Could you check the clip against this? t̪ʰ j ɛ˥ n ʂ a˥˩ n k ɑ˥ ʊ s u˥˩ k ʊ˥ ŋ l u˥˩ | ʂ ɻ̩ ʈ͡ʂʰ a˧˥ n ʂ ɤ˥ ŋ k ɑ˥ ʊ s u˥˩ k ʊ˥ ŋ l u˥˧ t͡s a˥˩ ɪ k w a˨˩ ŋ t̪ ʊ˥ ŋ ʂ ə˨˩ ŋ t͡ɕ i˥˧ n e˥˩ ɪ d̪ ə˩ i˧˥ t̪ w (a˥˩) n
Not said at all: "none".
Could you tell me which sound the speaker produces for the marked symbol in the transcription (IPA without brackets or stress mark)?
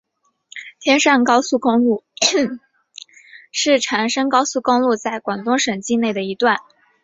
a˥˩